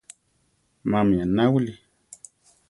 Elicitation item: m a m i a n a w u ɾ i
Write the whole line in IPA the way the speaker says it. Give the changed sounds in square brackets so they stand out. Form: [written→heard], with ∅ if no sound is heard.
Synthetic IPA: m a m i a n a w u [ɾ→l] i